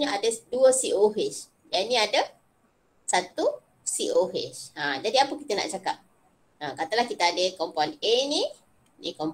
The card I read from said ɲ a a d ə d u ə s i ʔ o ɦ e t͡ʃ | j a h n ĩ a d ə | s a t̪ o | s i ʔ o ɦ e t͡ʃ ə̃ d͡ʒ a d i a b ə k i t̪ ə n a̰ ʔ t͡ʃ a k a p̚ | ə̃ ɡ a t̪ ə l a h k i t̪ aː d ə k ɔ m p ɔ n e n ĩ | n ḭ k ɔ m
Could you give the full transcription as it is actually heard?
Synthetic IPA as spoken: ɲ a a d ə d u ə s i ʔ o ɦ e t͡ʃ | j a n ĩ a d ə | s a t̪ u | s i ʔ o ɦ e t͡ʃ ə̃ d͡ʒ a d i a p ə k i t̪ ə n a̰ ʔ t͡ʃ a k a p̚ | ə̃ k a t̪ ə l a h k i t̪ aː d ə k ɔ m p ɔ n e n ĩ | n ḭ k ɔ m